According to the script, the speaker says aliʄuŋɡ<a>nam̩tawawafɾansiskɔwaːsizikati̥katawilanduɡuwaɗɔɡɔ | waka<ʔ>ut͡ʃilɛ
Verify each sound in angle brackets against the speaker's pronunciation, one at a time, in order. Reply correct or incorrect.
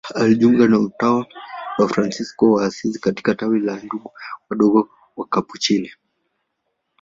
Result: correct, incorrect: p

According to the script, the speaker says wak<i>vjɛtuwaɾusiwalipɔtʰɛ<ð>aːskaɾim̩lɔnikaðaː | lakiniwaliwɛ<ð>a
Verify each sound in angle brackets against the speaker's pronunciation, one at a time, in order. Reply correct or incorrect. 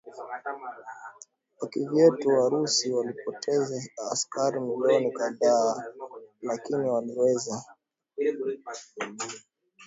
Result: correct, incorrect: z, incorrect: z

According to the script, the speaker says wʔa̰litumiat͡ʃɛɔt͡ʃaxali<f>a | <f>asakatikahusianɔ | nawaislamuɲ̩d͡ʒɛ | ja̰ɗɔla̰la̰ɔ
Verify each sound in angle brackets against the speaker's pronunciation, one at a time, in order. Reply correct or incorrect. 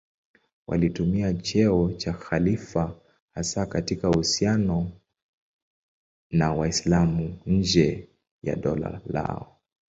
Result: correct, incorrect: h

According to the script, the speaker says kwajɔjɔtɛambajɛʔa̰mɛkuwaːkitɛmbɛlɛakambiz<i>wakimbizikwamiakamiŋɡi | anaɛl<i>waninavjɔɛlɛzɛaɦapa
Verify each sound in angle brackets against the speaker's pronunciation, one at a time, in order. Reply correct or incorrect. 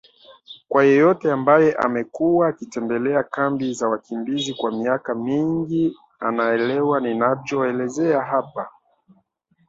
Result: incorrect: a, incorrect: ɛ

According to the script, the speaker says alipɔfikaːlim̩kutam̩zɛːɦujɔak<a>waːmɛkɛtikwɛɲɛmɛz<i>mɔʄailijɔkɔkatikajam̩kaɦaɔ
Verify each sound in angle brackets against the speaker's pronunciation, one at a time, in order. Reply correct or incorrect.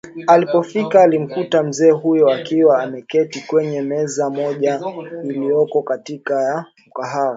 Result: incorrect: i, incorrect: a

